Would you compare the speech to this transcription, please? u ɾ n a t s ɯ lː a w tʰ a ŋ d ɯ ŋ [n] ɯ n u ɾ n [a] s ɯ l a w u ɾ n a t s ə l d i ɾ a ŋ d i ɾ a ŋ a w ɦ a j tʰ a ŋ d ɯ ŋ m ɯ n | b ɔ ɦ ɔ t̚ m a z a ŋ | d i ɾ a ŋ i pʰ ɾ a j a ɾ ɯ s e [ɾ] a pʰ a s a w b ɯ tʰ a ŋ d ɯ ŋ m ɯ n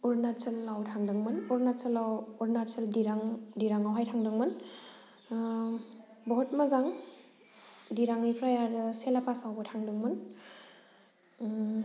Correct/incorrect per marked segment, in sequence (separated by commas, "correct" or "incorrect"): incorrect, correct, incorrect